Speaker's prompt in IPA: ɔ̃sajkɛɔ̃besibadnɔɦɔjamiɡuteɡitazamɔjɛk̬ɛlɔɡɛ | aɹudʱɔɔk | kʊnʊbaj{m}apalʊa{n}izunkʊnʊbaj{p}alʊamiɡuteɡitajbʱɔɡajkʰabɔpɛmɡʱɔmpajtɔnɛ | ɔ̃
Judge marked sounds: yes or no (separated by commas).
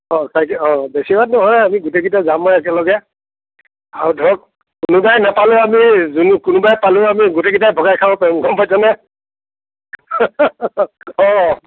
no, no, yes